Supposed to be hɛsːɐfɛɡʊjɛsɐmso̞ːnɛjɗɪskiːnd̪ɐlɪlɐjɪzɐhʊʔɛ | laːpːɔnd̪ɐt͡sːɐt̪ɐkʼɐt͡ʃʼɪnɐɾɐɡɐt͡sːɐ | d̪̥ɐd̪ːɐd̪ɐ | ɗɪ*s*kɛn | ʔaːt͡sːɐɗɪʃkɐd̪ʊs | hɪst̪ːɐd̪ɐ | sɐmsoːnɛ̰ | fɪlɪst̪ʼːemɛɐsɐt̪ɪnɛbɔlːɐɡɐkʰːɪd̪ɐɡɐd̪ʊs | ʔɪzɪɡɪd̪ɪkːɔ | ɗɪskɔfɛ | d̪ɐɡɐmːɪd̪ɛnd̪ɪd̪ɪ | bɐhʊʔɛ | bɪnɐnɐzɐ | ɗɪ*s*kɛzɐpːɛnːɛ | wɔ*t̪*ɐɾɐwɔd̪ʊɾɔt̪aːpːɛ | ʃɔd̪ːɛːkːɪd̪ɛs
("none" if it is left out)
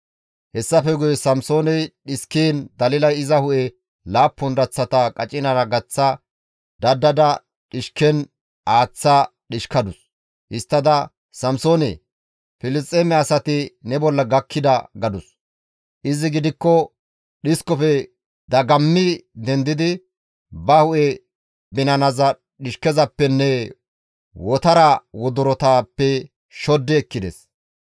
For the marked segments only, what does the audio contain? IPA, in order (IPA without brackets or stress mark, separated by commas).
ʃ, ʃ, t̪